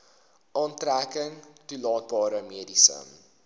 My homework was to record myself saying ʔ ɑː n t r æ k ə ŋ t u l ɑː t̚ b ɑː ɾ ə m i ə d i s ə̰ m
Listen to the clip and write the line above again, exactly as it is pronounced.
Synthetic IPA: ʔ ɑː n t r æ k ə ŋ t u l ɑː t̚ b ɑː ɾ ə m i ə d i s ə̰ m